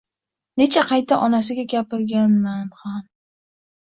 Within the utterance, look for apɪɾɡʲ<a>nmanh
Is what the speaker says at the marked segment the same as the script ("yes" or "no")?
yes